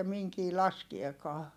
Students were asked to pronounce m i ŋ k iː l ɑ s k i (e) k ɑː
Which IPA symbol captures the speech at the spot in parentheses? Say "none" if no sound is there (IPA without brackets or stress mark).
e